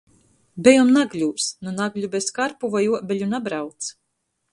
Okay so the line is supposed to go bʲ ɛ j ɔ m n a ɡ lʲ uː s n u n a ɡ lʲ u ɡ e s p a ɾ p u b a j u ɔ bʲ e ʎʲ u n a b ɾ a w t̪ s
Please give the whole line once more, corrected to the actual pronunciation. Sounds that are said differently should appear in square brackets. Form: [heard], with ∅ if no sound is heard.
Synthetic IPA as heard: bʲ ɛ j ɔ m n a ɡ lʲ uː s n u n a ɡ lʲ u [b] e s [k] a ɾ p u [v] a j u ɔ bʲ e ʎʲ u n a b ɾ a w t̪ s